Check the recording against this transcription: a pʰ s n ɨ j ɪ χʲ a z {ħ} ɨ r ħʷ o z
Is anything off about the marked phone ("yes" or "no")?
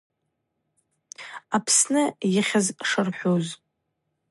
yes